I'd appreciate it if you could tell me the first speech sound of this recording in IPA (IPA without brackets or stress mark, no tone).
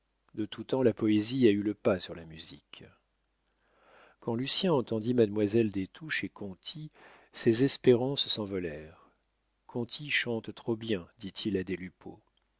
d̪